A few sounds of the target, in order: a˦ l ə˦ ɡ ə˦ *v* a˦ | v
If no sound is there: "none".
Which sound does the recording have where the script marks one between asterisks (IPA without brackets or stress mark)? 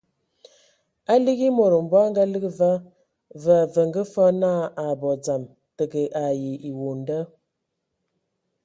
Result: v